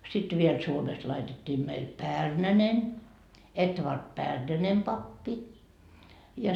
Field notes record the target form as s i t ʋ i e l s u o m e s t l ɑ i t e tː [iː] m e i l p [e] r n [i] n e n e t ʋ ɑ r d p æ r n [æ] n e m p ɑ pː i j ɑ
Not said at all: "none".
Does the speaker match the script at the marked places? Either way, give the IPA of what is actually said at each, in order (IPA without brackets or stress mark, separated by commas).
iː, æ, æ, æ